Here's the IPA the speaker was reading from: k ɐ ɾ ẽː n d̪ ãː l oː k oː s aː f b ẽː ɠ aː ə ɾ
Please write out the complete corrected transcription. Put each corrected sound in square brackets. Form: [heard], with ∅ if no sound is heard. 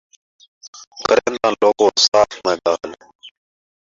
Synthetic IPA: k [ə] ɾ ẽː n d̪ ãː l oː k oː s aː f [m] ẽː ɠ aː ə [l]